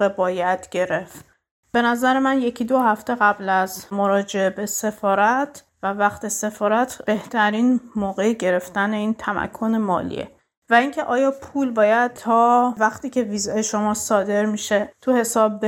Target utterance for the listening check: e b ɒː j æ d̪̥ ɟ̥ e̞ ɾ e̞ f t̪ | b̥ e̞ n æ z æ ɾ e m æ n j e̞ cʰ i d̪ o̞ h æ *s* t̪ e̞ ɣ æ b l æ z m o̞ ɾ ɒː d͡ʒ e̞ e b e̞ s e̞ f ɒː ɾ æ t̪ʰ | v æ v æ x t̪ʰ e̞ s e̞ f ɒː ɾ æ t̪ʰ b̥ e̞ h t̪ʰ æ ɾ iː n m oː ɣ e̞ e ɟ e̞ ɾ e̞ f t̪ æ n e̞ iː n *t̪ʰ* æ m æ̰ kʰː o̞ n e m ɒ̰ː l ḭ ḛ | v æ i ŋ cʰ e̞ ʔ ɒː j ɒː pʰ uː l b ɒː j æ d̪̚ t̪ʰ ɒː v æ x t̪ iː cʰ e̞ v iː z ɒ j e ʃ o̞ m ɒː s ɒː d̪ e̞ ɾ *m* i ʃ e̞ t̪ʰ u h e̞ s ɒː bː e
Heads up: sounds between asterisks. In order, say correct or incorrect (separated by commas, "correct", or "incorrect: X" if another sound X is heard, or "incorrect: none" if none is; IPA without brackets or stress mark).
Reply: incorrect: f, correct, correct